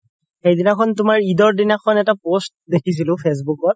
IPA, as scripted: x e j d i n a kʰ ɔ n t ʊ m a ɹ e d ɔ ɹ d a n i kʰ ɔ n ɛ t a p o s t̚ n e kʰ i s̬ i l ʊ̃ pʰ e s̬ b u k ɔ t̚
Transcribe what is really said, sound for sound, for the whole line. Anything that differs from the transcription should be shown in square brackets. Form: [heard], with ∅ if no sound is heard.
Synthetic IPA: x e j d i n a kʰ ɔ n t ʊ m a ɹ [i] d ɔ ɹ d [i] n [a] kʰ ɔ n ɛ t a p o s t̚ [d] e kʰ i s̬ i l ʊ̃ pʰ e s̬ b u k ɔ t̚